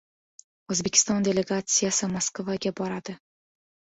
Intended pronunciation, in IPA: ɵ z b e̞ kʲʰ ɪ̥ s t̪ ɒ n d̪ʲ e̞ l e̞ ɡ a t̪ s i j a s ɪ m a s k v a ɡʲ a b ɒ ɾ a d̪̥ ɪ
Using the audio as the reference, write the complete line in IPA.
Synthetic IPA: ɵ z b e̞ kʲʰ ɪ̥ s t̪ ɒ n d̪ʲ e̞ l e̞ ɡ a t̪ s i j a s ɪ m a s k v a ɡʲ a b ɒ ɾ a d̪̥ ɪ